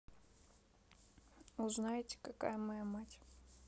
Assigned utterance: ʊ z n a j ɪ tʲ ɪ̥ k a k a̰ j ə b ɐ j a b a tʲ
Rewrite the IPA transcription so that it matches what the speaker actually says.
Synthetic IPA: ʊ z n a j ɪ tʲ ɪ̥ k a k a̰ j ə m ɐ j a m a tʲ